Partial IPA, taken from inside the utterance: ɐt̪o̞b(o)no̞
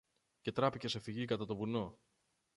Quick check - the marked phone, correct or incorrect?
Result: incorrect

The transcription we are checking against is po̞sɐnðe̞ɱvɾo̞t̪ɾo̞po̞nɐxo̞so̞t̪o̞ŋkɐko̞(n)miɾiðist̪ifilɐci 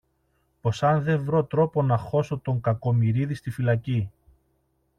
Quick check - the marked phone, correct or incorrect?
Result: incorrect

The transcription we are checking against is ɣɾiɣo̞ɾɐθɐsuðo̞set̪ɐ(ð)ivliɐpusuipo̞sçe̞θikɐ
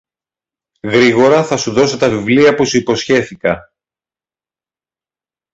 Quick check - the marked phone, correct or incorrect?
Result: incorrect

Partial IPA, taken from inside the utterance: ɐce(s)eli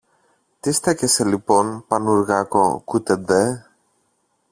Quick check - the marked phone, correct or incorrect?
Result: correct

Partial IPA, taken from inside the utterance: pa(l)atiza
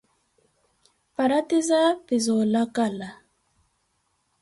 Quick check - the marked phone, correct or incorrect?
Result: incorrect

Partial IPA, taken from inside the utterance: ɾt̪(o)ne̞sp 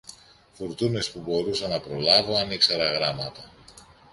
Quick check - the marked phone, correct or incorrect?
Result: incorrect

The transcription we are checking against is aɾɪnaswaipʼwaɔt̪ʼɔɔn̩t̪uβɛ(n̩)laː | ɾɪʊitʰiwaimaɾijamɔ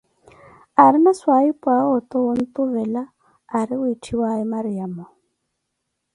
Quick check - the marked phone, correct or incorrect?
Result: incorrect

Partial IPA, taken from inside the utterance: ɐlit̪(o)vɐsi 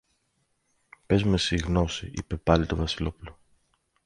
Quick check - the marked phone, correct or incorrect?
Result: correct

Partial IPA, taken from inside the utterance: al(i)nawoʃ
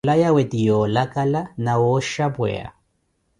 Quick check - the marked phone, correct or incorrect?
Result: incorrect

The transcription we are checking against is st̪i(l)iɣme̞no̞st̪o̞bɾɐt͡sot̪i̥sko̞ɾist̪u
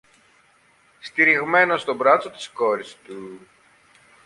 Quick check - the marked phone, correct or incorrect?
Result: incorrect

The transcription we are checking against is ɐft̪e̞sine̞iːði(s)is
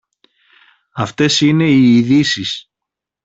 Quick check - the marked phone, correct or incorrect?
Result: correct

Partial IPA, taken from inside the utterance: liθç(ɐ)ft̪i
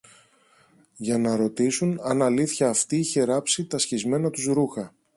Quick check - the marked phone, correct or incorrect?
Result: incorrect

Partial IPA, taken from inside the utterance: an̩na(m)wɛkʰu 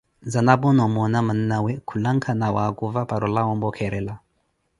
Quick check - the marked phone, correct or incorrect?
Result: incorrect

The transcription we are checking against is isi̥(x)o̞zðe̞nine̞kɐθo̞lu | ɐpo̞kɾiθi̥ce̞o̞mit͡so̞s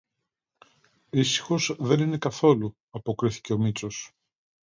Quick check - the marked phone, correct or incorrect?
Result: correct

